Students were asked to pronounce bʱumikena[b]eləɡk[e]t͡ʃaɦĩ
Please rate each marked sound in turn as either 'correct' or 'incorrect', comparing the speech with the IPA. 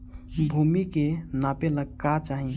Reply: incorrect: p, incorrect: a

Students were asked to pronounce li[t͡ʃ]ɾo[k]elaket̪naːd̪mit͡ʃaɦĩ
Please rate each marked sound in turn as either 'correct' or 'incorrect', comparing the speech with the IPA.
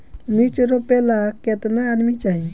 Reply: correct, incorrect: p

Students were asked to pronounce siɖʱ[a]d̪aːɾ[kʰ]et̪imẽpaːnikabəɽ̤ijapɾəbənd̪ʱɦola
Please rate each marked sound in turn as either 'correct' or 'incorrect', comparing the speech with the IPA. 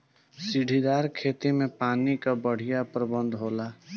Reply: incorrect: i, correct

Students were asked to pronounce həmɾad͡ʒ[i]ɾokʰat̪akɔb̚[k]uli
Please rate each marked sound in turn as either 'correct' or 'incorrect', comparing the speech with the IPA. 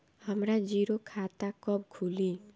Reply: correct, incorrect: kʰ

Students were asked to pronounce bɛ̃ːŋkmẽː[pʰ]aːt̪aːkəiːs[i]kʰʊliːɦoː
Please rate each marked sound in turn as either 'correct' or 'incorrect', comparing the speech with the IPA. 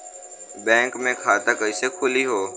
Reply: incorrect: kʰ, incorrect: e

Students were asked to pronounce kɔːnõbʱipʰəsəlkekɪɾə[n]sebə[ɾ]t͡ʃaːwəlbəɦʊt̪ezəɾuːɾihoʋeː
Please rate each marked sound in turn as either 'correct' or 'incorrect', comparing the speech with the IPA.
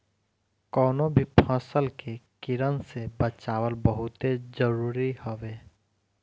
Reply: correct, incorrect: none

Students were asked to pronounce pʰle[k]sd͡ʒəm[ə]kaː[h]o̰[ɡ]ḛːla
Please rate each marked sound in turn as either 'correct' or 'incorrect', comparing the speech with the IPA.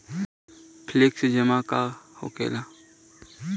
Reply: correct, incorrect: a, correct, incorrect: k

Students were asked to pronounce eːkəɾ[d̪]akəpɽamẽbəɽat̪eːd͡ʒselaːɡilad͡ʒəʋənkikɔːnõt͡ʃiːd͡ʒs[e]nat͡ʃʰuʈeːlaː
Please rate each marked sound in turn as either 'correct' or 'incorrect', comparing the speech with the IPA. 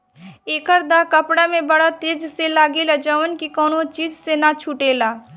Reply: correct, correct

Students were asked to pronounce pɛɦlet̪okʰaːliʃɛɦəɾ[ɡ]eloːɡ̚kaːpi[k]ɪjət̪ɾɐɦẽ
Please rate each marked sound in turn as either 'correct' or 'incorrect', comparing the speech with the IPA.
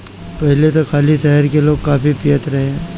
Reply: incorrect: k, incorrect: p

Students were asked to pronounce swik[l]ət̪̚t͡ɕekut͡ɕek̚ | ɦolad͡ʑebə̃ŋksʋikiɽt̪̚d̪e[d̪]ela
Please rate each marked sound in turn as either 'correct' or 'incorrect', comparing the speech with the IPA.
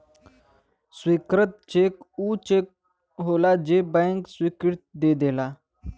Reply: incorrect: ɾ, correct

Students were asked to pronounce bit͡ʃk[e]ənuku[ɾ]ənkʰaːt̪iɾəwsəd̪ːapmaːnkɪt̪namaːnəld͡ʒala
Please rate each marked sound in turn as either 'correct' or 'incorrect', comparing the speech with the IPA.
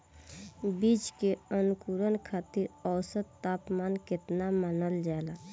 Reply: correct, correct

